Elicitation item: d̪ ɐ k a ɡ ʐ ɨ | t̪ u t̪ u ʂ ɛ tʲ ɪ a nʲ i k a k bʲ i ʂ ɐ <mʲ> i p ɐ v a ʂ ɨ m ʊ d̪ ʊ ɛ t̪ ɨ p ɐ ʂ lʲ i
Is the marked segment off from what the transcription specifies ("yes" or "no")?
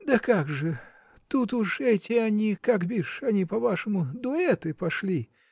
yes